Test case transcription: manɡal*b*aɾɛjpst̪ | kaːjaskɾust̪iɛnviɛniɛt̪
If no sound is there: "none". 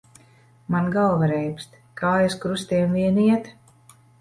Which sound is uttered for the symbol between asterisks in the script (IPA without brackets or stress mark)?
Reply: v